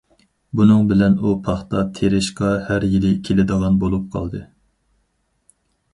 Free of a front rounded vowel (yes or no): yes